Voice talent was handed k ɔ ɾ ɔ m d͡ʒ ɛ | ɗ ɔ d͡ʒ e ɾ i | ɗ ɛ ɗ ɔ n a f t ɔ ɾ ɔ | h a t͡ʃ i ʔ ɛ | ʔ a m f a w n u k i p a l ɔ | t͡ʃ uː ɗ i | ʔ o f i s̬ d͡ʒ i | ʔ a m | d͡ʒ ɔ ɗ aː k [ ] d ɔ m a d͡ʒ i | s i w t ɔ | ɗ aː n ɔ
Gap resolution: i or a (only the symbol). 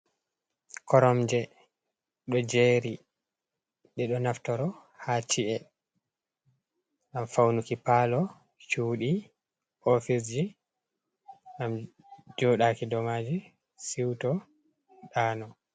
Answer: i